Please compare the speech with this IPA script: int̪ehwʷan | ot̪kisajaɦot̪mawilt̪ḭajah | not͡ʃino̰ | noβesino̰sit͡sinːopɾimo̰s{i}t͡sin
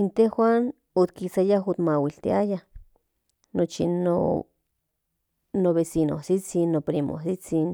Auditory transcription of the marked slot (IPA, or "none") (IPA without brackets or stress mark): i